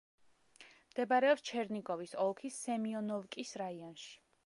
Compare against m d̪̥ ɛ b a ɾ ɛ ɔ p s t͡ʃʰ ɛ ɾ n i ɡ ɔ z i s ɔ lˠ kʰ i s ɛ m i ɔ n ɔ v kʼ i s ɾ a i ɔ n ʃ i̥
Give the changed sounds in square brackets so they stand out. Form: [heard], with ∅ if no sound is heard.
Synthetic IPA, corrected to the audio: m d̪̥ ɛ b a ɾ ɛ ɔ p s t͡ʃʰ ɛ ɾ n i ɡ ɔ [v] i s ɔ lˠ kʰ i s ɛ m i ɔ n ɔ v kʼ i s ɾ a i ɔ n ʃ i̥